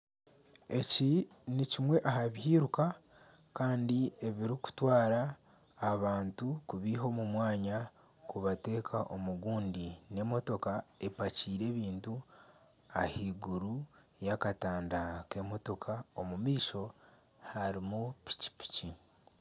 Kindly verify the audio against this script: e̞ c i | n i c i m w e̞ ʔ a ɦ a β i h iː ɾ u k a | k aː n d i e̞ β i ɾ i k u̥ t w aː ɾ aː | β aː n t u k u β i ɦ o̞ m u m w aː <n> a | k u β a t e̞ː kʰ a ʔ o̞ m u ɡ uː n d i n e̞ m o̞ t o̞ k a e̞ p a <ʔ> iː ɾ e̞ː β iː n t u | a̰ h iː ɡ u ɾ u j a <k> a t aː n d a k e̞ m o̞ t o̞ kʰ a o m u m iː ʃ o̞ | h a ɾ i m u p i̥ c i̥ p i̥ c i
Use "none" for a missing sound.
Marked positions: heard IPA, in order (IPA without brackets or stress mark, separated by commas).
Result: ɲ, c, k